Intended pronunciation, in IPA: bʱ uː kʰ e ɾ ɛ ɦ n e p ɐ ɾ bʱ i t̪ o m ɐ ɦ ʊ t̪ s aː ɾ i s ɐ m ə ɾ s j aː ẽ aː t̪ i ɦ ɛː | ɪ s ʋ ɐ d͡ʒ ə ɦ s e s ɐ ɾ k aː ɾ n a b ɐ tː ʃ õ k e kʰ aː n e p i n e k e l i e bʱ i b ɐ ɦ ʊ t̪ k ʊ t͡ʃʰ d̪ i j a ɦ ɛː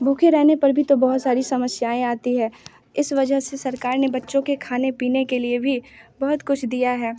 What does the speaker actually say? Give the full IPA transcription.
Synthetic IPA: bʱ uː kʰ e ɾ ɛ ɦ n e p ɐ ɾ bʱ i t̪ o b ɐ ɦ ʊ t̪ s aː ɾ i s ɐ m ə s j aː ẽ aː t̪ i ɦ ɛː | ɪ s ʋ ɐ d͡ʒ ə ɦ s e s ɐ ɾ k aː ɾ n e b ɐ tː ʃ õ k e kʰ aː n e p iː n e k e l i e bʱ i b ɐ ɦ ʊ t̪ k ʊ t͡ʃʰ d̪ i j a ɦ ɛː